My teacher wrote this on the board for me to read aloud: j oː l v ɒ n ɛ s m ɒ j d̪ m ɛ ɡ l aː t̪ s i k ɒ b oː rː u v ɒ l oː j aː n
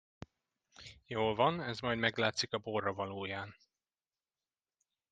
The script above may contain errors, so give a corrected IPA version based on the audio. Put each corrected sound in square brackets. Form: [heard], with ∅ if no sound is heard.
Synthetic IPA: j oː l v ɒ n ɛ [z] m ɒ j d̪ m ɛ ɡ l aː t̪ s i k ɒ b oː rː [ɒ] v ɒ l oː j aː n